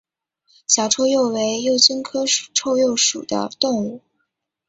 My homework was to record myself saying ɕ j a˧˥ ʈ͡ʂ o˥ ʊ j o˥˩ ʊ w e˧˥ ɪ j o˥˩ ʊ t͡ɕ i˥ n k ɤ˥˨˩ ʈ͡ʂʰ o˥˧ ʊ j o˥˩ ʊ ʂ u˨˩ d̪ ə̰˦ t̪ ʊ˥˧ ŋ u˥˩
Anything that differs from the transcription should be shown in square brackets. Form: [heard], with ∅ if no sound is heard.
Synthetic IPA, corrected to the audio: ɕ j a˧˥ [ʈ͡ʂʰ] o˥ ʊ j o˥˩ ʊ w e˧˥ ɪ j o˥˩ ʊ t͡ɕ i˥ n [kʰ] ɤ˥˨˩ ʈ͡ʂʰ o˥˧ ʊ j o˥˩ ʊ ʂ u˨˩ d̪ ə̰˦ t̪ ʊ˥˧ ŋ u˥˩